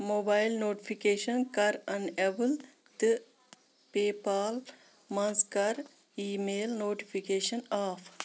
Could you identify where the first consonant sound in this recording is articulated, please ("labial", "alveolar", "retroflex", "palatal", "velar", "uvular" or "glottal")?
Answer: labial